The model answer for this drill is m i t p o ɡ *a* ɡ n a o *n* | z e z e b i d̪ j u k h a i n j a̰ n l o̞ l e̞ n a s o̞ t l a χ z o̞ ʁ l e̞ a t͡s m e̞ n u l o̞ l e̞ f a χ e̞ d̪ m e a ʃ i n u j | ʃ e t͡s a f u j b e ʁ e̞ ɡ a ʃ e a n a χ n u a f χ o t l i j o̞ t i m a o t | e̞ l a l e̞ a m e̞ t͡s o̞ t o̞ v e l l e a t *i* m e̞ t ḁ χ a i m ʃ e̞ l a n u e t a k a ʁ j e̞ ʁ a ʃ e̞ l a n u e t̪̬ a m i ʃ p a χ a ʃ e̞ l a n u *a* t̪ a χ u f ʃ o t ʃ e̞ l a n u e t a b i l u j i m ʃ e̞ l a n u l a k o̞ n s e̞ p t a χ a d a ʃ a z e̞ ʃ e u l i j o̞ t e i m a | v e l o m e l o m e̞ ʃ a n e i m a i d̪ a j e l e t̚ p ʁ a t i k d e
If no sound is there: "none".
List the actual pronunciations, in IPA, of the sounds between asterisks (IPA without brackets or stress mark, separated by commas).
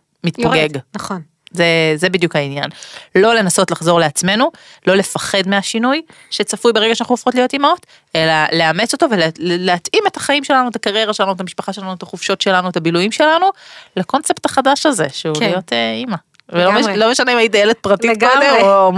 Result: e, n, i, e